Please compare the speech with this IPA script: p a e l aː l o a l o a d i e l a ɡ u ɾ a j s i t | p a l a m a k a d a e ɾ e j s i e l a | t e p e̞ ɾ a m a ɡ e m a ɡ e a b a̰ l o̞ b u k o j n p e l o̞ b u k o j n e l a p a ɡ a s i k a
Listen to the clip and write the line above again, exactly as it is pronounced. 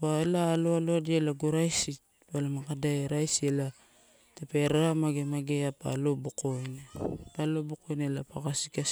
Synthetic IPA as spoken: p a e l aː l o a l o a d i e l a ɡ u ɾ a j s i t | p a l a m a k a d a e ɾ a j s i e l a | t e p e̞ ɾ a m a ɡ e m a ɡ e a p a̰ l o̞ b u k o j n p a l o̞ b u k o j n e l a p a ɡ a s i k a